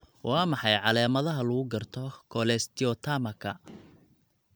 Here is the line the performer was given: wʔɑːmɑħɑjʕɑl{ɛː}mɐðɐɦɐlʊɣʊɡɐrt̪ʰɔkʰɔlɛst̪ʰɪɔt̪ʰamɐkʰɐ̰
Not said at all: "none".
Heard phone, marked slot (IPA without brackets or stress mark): ɛː